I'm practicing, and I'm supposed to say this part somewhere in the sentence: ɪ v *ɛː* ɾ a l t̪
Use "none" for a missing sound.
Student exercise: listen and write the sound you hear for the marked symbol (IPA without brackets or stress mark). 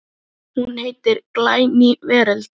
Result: ɛː